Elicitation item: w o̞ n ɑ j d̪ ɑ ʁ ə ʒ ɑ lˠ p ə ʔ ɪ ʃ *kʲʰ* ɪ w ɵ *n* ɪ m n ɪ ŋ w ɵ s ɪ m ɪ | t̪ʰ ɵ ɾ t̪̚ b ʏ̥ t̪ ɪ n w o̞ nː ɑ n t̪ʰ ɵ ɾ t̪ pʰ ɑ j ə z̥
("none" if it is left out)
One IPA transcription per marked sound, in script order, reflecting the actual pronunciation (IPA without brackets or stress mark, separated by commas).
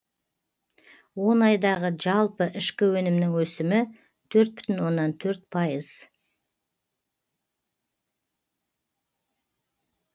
kʲ, n